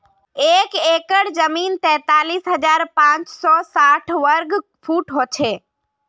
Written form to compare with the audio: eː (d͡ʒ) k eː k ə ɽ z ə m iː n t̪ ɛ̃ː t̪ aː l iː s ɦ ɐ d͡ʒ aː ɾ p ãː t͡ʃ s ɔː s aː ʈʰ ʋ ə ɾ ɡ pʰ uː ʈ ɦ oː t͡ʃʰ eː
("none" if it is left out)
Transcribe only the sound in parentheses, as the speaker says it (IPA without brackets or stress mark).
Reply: none